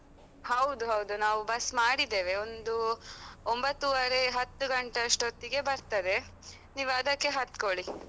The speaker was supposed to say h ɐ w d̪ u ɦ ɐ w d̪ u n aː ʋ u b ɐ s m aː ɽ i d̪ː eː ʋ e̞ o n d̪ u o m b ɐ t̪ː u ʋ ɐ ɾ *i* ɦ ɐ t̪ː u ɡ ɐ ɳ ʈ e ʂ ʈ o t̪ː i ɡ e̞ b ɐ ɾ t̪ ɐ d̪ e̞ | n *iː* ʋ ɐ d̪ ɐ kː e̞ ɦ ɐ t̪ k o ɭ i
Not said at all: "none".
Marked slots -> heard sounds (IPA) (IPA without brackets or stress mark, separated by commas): e, iː